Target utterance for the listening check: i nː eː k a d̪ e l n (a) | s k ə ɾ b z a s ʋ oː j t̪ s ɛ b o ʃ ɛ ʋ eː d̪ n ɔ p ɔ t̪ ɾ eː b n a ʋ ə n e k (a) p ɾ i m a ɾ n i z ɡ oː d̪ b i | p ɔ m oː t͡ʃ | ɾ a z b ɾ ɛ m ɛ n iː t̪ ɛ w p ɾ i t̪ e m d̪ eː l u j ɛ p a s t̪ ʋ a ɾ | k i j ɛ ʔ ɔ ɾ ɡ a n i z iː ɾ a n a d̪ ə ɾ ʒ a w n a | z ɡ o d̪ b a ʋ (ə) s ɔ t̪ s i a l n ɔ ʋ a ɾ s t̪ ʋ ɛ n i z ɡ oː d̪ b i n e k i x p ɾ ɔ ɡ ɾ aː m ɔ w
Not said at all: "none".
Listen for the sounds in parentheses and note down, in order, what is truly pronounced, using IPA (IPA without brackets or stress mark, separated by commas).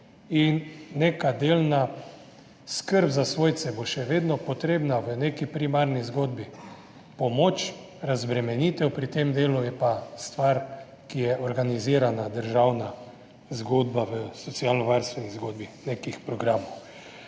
a, i, ə